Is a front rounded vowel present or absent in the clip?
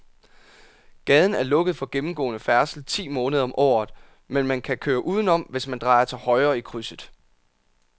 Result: present